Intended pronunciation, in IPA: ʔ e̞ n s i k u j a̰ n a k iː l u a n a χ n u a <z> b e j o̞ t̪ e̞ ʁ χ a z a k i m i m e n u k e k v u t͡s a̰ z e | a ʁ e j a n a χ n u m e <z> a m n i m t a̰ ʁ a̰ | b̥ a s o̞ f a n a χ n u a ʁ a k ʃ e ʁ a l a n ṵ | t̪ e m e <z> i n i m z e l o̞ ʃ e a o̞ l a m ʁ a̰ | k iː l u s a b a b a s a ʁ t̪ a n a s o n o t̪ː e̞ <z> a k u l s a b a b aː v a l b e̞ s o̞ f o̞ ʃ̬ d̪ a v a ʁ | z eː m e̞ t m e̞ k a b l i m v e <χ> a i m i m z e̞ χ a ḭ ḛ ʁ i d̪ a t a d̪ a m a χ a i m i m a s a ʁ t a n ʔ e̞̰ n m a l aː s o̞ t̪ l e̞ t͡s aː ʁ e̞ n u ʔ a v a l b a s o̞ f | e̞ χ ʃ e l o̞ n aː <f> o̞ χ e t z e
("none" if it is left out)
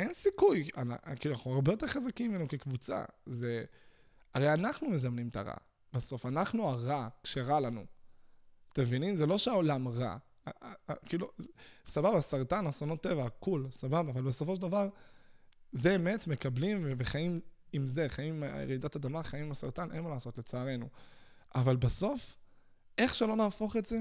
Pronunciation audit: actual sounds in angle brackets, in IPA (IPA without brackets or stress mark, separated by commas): ʁ, z, v, v, χ, f